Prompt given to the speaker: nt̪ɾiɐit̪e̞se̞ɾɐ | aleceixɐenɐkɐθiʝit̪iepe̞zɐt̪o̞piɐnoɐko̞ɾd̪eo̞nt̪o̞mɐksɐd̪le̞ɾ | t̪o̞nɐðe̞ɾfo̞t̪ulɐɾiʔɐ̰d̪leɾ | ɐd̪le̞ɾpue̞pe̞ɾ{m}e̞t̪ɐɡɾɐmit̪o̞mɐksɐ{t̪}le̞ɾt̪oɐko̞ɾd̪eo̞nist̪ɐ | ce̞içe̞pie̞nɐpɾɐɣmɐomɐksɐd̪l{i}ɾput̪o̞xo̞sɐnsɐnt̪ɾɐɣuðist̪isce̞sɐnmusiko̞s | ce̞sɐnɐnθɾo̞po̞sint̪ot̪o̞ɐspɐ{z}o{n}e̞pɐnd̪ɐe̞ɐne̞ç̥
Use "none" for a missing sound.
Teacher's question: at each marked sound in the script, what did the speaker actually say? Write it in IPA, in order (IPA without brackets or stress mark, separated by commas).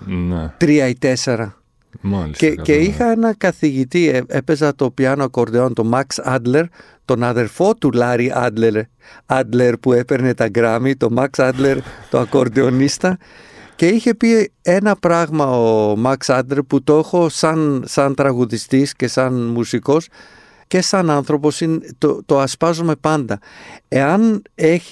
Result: n, d̪, e, z, m